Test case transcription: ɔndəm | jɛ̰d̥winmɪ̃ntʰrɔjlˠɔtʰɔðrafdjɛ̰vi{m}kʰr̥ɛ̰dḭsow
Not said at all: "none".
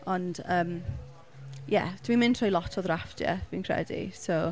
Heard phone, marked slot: n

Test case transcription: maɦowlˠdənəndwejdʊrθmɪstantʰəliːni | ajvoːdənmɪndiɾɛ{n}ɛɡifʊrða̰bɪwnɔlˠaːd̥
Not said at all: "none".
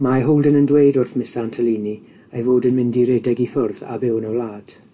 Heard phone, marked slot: d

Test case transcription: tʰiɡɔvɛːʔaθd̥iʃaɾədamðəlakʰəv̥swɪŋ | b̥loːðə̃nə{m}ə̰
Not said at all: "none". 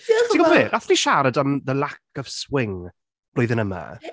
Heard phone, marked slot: m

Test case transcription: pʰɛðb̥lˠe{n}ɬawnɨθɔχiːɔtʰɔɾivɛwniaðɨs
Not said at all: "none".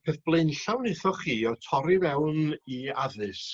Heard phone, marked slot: n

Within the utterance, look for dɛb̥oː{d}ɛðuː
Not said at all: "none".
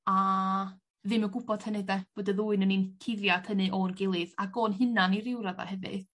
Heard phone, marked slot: d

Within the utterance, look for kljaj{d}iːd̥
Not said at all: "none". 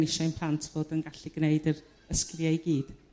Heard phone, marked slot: ɡ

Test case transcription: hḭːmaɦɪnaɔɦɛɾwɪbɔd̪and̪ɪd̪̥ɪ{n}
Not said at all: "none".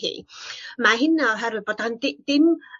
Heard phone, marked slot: m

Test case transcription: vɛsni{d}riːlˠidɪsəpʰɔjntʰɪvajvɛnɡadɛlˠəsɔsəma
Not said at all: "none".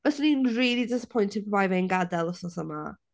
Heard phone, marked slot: n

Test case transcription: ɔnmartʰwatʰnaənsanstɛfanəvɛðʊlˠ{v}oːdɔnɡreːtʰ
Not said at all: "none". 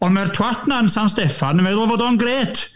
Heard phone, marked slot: v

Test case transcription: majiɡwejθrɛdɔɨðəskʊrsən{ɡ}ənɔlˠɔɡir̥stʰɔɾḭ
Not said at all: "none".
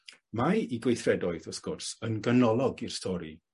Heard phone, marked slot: ɡ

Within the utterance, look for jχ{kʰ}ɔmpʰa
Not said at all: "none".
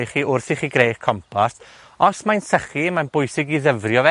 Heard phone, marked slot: kʰ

